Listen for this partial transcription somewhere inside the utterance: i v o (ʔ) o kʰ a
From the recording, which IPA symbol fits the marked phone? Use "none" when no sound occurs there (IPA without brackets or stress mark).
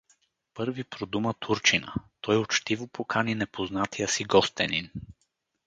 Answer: p